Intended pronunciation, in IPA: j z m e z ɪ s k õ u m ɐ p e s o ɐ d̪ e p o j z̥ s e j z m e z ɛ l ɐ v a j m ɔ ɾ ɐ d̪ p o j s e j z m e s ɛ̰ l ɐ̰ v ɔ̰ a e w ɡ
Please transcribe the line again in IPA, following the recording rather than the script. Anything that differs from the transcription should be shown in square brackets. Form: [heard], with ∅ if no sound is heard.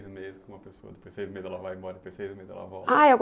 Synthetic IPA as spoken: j z m e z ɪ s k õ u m ɐ p e s o ɐ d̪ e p o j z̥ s e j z m e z ɛ l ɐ v a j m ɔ ɾ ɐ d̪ p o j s e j z m e [z] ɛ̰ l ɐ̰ v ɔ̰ a e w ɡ